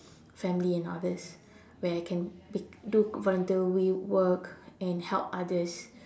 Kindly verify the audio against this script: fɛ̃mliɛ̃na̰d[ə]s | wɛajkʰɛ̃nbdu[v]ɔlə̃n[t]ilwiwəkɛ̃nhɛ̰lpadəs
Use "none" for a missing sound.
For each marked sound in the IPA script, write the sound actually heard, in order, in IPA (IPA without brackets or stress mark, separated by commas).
ə, v, t